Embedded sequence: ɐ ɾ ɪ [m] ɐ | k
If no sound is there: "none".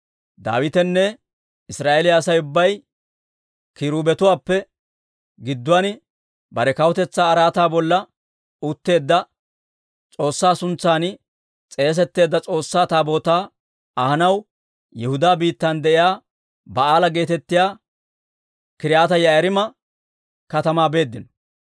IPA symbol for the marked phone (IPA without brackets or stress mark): m